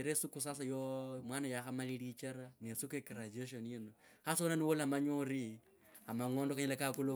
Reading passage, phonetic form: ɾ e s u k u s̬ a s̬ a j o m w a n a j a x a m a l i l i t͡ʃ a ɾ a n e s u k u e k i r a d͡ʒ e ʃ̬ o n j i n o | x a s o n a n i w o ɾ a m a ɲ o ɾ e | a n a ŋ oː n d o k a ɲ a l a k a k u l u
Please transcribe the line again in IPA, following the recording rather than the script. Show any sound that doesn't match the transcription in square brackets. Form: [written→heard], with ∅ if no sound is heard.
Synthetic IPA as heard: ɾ e s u k u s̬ a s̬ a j o m w a n a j a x a m a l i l i t͡ʃ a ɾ a n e s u k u e k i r a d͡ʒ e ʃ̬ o n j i n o | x a s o n a n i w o [ɾ→l] a m a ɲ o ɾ [e→i] | a [n→m] a ŋ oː n d o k a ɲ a l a k a k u l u